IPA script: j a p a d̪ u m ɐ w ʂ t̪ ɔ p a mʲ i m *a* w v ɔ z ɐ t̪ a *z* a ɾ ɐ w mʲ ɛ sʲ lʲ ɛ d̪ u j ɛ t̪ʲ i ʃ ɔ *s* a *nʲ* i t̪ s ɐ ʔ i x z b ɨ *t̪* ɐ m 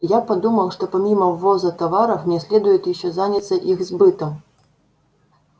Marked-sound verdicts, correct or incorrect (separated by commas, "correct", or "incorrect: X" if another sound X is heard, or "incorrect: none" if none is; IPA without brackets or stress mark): incorrect: ɐ, incorrect: v, incorrect: z, correct, correct